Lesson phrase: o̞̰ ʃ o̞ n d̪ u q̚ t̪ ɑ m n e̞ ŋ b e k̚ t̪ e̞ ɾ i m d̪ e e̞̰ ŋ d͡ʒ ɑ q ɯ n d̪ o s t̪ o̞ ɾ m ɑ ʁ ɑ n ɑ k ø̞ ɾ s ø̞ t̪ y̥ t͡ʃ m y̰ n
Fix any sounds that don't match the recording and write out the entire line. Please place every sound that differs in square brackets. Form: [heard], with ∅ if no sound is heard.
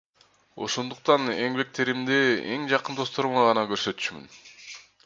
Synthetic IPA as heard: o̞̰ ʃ o̞ n d̪ u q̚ t̪ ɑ [∅] n e̞ ŋ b e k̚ t̪ e̞ ɾ i m d̪ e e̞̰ ŋ d͡ʒ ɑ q ɯ n d̪ o s t̪ o̞ ɾ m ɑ ʁ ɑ n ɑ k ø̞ ɾ s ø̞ t̪ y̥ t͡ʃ m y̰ n